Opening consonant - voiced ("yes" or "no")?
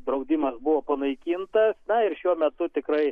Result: yes